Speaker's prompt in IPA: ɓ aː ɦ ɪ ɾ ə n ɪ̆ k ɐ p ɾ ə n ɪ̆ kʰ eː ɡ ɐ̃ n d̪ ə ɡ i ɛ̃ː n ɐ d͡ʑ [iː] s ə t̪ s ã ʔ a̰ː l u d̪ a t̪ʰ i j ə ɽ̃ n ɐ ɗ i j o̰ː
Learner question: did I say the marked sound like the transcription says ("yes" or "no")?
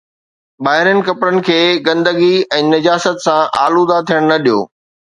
no